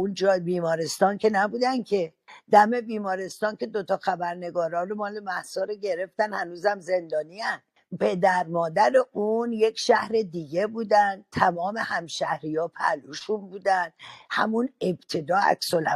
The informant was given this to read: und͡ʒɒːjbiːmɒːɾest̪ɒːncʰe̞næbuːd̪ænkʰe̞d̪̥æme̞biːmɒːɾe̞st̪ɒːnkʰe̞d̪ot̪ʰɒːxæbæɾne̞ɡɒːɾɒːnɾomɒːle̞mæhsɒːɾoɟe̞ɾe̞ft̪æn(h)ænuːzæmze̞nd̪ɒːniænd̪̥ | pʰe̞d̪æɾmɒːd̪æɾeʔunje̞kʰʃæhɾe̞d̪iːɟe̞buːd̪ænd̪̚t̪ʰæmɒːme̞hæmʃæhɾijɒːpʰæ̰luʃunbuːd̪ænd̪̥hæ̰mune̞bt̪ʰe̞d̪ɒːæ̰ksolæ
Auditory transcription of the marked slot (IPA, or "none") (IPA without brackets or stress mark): h